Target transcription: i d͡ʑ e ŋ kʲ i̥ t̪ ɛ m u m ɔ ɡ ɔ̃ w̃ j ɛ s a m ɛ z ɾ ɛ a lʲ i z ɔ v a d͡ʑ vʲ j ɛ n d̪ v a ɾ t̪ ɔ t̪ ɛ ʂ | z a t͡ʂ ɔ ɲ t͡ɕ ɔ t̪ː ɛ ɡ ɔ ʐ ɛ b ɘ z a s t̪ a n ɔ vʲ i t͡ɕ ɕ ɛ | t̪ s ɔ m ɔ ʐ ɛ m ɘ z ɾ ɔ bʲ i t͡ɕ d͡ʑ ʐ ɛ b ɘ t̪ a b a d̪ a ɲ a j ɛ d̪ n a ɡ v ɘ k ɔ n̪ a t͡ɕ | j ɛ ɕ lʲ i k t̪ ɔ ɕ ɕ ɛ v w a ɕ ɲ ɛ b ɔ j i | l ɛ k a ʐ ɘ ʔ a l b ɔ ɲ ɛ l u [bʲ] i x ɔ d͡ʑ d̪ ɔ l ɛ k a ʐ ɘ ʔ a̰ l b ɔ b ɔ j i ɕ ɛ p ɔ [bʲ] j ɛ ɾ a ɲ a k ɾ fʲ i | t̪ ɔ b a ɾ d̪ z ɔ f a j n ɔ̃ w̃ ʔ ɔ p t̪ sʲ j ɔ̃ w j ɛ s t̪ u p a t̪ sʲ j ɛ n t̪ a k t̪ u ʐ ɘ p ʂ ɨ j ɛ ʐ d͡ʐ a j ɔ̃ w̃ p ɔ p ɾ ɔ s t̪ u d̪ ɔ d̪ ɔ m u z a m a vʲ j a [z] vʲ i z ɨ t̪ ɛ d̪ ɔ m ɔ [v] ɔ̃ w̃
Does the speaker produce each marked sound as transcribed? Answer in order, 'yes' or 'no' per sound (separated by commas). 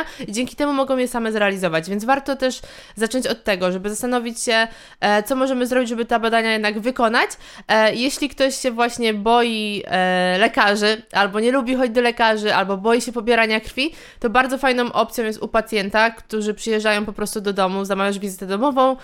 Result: yes, yes, no, yes